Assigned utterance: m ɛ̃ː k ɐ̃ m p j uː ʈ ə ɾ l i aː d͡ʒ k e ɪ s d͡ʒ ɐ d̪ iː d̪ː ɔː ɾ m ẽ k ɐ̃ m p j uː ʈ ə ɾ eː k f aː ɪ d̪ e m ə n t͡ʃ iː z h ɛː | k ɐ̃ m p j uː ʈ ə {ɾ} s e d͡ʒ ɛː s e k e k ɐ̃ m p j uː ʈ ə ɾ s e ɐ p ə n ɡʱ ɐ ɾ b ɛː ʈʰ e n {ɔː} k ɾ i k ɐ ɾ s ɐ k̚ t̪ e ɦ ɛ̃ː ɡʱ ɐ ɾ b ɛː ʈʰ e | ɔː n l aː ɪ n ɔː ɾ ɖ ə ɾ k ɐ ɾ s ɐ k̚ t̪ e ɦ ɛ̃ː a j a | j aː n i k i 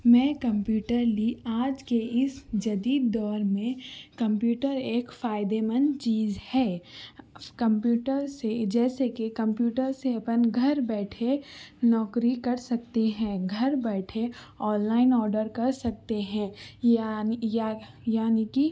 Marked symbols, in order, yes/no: yes, yes

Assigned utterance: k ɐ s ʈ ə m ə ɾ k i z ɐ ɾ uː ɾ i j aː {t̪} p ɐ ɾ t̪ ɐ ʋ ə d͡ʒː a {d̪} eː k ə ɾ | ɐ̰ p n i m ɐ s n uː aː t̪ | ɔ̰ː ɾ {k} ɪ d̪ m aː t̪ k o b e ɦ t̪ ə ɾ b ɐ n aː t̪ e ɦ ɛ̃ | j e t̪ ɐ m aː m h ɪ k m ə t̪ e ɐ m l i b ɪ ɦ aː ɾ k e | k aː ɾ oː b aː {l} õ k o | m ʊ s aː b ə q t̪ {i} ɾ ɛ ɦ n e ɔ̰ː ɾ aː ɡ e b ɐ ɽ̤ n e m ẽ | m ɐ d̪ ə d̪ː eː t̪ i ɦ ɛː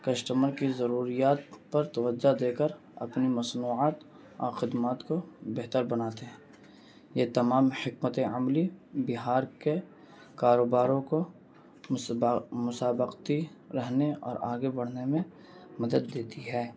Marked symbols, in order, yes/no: yes, yes, no, no, yes

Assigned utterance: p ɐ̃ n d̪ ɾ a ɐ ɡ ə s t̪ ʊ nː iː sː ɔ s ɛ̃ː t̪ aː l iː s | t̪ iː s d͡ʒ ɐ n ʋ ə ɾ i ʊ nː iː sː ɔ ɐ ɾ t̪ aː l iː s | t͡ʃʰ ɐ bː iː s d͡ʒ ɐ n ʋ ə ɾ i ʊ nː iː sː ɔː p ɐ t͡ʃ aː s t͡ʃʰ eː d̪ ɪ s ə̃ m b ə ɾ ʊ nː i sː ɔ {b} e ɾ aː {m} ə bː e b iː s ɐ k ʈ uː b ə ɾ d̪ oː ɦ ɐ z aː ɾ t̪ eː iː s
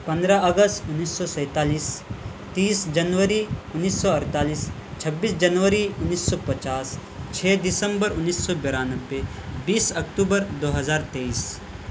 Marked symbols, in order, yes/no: yes, no

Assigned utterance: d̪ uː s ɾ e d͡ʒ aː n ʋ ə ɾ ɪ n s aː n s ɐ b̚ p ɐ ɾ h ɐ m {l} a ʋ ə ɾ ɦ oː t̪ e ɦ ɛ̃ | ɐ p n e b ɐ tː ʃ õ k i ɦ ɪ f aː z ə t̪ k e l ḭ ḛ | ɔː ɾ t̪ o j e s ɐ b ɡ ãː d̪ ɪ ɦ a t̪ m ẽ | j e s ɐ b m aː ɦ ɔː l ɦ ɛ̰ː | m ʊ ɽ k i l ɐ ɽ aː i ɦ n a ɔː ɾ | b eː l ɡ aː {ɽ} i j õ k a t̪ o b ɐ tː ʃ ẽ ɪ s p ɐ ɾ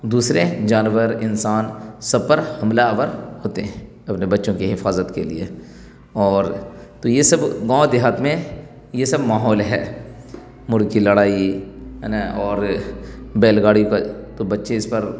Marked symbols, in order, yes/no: yes, yes

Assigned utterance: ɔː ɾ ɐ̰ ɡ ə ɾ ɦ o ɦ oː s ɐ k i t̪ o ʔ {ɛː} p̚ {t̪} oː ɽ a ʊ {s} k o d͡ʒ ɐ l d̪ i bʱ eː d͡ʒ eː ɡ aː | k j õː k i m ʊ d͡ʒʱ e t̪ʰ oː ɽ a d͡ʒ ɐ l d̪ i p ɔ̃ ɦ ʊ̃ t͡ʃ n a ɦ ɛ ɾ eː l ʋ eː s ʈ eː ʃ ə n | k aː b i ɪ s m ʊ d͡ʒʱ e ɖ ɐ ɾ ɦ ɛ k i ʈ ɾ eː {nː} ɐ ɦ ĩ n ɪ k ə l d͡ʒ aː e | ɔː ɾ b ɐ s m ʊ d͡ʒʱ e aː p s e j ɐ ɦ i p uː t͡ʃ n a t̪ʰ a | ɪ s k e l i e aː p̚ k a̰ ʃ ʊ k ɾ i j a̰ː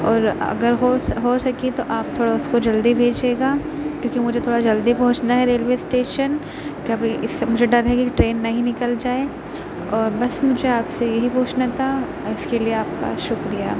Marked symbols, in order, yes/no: no, no, yes, yes

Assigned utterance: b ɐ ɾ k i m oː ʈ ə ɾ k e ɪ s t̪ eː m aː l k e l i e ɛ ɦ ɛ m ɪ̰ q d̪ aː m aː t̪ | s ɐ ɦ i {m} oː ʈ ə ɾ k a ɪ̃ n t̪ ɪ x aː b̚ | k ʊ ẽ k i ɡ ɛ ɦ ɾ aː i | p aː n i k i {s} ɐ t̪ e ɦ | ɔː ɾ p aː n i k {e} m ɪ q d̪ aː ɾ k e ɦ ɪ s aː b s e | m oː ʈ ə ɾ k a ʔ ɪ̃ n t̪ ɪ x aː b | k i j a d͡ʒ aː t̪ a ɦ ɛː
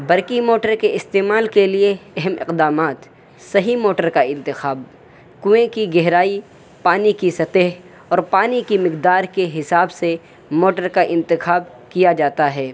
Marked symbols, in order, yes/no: yes, yes, no

